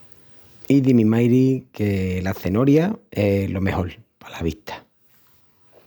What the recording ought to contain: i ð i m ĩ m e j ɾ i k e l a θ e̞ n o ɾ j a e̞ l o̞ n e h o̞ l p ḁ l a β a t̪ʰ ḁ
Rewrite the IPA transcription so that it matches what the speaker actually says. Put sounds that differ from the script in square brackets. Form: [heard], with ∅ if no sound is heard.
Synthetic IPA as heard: i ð i m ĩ m [a] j ɾ i k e l a θ e̞ n o ɾ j a e̞ l o̞ [m] e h o̞ l p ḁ l a β [i] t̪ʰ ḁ